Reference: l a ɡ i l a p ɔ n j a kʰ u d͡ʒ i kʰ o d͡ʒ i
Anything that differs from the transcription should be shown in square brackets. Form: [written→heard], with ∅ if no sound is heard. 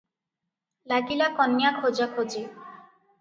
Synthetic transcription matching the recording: l a ɡ i l a [p→k] ɔ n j a kʰ [u→o] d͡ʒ [i→a] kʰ o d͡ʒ i